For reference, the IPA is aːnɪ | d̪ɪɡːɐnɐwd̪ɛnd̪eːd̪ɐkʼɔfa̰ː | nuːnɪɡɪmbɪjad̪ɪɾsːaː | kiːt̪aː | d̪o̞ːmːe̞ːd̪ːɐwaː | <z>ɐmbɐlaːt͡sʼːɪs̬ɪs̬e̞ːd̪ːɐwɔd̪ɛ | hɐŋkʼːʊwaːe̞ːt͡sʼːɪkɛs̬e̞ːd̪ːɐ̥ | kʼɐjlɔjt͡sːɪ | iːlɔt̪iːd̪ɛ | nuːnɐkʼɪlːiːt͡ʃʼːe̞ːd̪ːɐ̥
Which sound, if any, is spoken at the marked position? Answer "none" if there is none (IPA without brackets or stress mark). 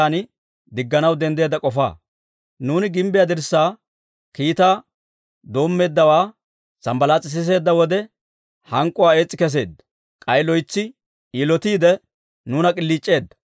s